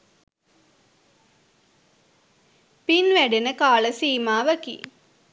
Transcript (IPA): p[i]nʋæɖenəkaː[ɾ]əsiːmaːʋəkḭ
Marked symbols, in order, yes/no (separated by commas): yes, no